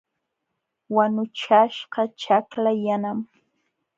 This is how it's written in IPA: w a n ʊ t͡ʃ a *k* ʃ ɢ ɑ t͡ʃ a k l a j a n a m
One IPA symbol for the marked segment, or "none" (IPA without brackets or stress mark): none